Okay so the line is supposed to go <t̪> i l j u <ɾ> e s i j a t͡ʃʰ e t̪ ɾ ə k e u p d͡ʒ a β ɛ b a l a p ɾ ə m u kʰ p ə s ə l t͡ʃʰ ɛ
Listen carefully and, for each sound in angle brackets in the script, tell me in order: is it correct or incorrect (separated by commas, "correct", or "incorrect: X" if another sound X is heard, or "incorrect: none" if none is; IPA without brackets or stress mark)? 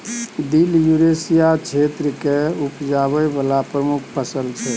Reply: incorrect: d̪, correct